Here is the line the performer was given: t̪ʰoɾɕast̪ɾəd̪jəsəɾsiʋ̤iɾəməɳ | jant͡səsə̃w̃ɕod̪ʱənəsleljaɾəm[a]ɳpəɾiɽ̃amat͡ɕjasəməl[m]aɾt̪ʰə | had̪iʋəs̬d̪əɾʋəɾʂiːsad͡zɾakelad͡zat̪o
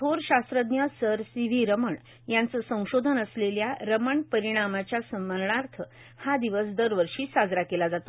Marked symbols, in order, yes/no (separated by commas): no, no